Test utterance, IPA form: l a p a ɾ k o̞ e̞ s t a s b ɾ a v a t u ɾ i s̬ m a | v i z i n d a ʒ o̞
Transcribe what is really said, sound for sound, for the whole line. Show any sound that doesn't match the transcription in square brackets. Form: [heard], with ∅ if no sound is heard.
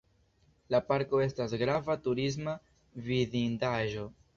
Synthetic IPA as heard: l a p a ɾ k o̞ e̞ s t a s [ɡ] ɾ a v a t u ɾ i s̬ m a | v i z i n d a ʒ o̞